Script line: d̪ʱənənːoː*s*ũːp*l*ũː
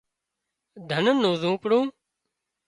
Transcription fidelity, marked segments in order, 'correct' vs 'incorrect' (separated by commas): incorrect, incorrect